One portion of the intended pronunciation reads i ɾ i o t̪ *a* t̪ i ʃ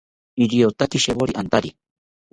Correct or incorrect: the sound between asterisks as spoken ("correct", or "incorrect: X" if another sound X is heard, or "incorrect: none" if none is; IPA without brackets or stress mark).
correct